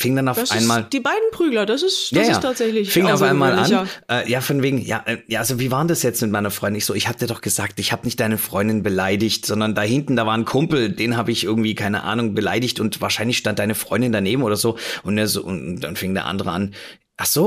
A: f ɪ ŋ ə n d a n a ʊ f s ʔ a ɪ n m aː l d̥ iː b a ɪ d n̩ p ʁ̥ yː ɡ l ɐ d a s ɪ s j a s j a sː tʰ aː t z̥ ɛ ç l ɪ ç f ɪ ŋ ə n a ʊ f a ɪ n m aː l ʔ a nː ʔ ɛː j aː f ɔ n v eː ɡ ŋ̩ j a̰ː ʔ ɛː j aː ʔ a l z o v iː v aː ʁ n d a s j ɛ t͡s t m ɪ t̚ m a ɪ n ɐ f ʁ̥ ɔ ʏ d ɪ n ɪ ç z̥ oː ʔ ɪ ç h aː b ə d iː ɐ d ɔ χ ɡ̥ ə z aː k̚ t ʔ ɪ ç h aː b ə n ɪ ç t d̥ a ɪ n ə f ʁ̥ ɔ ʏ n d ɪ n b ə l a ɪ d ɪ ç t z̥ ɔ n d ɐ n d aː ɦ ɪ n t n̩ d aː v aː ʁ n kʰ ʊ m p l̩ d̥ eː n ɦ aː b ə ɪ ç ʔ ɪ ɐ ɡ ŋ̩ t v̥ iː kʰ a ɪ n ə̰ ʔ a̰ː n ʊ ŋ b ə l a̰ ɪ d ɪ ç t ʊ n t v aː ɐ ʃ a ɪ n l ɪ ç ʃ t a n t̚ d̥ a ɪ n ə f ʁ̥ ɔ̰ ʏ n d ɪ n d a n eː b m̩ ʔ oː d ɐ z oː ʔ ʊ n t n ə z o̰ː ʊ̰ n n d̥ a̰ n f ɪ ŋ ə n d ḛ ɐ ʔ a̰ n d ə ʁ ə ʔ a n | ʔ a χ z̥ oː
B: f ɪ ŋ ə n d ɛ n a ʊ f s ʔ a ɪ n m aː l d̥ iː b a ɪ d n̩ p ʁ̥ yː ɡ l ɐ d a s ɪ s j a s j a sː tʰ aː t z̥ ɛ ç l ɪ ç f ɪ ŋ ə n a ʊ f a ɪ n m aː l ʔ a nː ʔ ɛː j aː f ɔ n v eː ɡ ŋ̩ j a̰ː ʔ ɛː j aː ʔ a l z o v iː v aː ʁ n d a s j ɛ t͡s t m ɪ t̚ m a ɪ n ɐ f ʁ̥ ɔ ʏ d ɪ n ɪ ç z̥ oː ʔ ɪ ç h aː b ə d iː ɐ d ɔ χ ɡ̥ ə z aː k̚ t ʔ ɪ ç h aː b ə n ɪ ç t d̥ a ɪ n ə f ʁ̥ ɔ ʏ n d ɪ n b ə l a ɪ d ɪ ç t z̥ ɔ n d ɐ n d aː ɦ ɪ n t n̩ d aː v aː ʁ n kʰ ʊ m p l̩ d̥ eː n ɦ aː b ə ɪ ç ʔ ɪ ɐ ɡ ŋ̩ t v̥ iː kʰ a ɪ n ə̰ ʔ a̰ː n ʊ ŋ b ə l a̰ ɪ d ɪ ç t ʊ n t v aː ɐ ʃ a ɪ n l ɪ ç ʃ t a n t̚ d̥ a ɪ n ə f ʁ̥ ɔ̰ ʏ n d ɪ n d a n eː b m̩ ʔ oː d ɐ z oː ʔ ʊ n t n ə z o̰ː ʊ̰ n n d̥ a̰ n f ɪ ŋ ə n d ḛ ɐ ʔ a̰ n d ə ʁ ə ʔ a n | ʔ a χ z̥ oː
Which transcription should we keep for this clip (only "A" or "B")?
A